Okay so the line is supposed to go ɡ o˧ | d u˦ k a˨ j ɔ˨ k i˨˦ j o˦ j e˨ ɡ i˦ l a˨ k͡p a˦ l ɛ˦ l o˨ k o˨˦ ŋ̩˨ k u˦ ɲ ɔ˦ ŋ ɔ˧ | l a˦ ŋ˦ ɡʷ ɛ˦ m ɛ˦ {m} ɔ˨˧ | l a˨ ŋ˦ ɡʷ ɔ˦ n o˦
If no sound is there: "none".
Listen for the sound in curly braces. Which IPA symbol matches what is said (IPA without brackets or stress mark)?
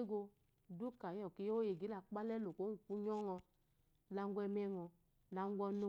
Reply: ŋ